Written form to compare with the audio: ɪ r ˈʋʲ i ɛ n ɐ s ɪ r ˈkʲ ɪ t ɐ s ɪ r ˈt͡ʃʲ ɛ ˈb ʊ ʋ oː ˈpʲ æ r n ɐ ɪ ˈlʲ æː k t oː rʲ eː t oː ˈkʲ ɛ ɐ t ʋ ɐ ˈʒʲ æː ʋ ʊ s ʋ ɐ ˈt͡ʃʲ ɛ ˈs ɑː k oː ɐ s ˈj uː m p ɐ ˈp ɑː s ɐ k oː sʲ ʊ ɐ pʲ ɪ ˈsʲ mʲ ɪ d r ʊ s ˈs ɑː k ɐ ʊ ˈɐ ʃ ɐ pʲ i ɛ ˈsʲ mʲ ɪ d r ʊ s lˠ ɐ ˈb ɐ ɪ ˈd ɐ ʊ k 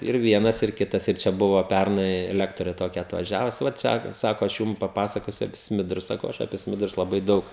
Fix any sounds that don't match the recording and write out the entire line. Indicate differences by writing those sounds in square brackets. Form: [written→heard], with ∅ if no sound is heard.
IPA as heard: ɪ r ˈʋʲ i ɛ n ɐ s ɪ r ˈkʲ ɪ t ɐ s ɪ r ˈt͡ʃʲ ɛ ˈb ʊ ʋ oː ˈpʲ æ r n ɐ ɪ ˈlʲ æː k t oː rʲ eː t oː ˈkʲ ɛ ɐ t ʋ ɐ ˈʒʲ æː ʋ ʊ s ʋ ɐ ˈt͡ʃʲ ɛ ˈs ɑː k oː ɐ [s→ʃ] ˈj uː m p ɐ ˈp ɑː s ɐ k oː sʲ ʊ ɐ pʲ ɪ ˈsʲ mʲ ɪ d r ʊ s ˈs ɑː k ɐ ʊ ˈɐ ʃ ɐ pʲ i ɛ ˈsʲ mʲ ɪ d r ʊ s lˠ ɐ ˈb ɐ ɪ ˈd ɐ ʊ k